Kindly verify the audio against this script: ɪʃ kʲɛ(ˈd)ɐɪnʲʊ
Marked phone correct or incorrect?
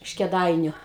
correct